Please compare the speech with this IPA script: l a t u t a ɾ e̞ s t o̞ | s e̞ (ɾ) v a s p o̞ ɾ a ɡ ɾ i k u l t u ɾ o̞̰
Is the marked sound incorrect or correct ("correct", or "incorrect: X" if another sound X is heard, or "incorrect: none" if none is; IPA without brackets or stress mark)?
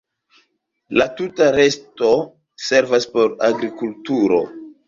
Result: correct